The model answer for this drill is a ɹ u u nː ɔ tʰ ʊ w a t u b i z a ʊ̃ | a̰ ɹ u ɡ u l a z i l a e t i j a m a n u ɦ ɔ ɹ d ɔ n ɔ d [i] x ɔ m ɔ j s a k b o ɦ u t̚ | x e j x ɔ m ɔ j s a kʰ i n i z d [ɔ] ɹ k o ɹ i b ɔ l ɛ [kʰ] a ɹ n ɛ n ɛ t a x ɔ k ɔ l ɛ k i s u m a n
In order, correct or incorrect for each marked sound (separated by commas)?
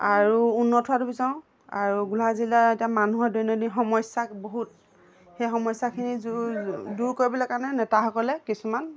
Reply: correct, incorrect, incorrect